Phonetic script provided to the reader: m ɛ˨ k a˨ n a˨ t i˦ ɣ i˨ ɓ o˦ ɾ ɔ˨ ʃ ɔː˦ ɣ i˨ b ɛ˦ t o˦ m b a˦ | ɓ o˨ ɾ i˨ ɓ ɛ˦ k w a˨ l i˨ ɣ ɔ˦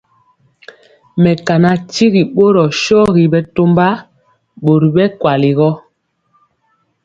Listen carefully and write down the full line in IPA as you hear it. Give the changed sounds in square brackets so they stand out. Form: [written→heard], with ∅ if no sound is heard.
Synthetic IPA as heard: m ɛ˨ k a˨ n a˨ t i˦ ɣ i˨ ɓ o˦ ɾ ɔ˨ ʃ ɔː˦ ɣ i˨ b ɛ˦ t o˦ m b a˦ | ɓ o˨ ɾ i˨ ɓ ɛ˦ k w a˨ l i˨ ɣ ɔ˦

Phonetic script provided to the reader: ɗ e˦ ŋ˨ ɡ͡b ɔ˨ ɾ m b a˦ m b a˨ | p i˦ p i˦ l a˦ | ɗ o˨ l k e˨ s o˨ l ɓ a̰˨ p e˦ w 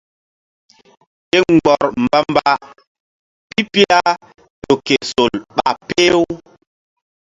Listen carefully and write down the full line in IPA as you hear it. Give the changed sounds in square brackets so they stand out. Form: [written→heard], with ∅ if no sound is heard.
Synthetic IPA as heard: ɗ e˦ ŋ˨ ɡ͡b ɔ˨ ɾ m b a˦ m b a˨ | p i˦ p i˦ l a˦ | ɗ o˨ [l→∅] k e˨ s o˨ l ɓ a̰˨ p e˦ w

